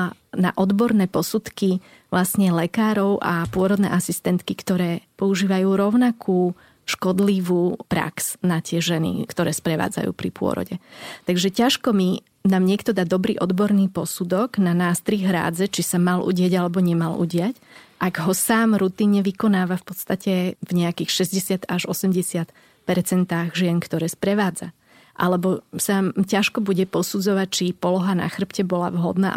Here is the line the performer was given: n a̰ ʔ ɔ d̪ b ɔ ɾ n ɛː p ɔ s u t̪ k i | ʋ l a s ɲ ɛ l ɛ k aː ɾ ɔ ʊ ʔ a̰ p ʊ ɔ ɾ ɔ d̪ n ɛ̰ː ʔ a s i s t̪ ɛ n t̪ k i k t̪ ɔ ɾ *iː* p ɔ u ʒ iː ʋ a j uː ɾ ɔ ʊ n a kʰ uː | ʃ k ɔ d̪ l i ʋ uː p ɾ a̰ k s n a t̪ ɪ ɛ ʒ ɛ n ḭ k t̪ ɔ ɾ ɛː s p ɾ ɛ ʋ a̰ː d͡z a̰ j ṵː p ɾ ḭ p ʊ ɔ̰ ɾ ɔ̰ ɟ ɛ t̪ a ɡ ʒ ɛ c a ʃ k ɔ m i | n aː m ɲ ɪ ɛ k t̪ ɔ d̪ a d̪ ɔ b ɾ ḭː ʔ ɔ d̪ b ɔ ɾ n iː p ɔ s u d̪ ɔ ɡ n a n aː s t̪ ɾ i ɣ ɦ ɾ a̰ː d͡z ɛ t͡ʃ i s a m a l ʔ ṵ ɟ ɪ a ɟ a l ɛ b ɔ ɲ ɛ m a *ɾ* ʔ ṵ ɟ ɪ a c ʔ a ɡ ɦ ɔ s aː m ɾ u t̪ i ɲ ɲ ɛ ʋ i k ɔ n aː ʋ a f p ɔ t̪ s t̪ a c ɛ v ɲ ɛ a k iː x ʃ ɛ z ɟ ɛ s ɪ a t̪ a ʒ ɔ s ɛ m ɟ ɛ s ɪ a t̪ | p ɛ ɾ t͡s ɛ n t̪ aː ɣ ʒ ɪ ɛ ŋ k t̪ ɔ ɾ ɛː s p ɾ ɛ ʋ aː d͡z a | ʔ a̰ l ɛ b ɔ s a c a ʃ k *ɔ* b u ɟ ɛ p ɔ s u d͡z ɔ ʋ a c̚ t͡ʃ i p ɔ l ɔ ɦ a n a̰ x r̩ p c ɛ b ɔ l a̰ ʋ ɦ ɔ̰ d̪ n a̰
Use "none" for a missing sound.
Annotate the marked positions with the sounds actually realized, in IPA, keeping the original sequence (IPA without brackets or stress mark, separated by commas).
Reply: ɛː, l, ɔ